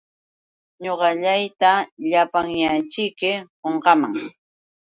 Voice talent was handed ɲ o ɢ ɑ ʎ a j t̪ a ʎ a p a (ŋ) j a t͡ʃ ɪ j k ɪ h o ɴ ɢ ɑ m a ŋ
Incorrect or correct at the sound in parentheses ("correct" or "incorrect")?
correct